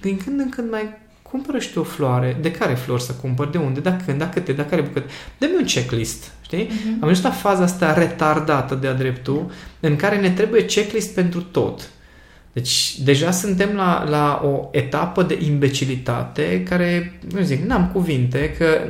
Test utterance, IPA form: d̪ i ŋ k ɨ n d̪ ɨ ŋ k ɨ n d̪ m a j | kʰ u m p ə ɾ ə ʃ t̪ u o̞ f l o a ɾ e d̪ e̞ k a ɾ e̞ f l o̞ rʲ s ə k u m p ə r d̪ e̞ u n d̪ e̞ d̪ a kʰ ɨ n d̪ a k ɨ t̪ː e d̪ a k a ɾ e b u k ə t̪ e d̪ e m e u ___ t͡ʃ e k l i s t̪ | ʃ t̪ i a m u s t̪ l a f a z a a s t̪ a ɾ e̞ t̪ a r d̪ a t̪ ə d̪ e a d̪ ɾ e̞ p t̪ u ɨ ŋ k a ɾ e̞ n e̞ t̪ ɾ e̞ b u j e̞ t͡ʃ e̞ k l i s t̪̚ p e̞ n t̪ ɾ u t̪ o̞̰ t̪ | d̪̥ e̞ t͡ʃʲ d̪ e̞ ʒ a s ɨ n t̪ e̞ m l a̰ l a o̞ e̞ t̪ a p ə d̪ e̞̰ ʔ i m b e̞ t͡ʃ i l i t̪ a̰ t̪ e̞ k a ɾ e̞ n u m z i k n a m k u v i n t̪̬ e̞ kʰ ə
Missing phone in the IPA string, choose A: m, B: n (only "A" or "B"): B